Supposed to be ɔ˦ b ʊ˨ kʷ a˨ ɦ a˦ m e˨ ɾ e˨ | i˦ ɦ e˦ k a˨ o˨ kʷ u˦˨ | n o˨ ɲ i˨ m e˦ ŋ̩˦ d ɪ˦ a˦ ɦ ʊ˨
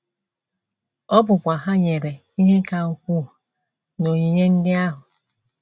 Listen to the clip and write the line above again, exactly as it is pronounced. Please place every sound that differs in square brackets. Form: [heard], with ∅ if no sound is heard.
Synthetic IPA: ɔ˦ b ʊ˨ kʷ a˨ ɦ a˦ [ɲ] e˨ ɾ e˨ | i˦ ɦ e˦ k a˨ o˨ kʷ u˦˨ | n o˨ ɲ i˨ [ɲ] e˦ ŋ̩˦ d ɪ˦ a˦ ɦ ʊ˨